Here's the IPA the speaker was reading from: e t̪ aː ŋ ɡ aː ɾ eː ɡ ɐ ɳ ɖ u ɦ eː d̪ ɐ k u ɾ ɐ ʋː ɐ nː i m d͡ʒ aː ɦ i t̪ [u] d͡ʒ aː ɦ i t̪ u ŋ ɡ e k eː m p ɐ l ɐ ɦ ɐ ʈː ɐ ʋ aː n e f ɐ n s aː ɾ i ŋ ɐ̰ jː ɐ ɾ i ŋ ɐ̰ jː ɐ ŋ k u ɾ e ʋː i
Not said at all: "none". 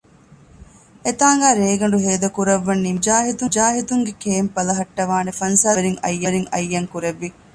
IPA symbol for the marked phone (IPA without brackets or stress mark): u